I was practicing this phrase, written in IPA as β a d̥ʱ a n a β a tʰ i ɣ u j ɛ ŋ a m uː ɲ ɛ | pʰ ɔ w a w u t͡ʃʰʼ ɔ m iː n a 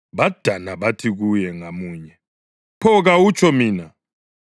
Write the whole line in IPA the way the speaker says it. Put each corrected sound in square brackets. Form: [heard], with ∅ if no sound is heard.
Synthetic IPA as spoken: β a d̥ʱ a n a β a tʰ i ɣ u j ɛ ŋ a m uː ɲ ɛ | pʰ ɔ [ɣ] a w u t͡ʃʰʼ ɔ m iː n a